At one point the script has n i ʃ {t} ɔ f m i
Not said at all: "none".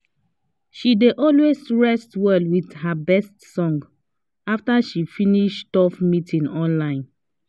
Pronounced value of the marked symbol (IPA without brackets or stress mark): t